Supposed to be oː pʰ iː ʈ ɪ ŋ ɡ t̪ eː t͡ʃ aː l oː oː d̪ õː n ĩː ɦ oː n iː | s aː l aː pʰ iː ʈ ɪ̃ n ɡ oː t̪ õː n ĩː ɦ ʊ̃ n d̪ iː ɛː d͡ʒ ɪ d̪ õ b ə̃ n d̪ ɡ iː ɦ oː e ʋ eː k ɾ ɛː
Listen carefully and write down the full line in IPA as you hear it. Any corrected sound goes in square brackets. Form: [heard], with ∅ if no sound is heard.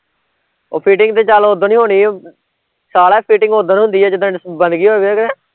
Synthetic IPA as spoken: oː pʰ iː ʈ ɪ ŋ ɡ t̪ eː t͡ʃ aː l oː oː d̪ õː n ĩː ɦ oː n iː | s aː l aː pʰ iː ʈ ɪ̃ [ŋ] ɡ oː [d̪] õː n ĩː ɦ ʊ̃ n d̪ iː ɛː d͡ʒ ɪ d̪ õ b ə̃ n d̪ ɡ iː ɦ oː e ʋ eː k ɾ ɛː